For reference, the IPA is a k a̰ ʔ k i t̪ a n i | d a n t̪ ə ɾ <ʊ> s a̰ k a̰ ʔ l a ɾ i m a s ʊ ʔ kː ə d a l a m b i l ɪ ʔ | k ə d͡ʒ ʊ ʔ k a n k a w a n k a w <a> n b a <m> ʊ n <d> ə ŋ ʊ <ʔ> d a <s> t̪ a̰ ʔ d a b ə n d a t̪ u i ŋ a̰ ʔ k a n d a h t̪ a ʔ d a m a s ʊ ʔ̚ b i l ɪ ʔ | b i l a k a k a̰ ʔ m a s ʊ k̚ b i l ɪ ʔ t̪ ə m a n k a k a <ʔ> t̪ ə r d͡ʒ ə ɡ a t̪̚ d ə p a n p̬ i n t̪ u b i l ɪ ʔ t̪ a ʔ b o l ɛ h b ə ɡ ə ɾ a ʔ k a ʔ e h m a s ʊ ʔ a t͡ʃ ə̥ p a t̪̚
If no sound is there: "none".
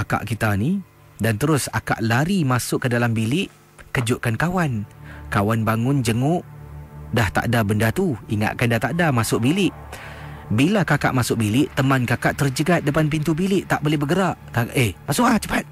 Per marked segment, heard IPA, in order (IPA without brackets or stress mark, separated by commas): ʊ, a, ŋ, d͡ʒ, ʔ, h, ʔ